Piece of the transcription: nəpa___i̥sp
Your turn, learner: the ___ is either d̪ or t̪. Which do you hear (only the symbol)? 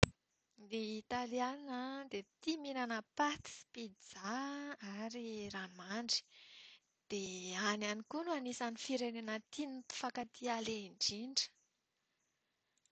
t̪